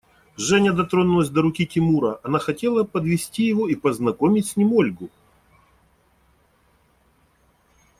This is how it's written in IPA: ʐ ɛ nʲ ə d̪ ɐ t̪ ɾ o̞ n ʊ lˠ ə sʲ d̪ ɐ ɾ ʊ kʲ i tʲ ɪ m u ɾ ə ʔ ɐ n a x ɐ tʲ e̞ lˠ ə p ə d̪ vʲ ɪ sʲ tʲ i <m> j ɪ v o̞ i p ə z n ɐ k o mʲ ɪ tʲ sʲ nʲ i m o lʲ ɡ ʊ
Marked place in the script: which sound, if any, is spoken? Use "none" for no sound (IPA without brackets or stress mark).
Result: none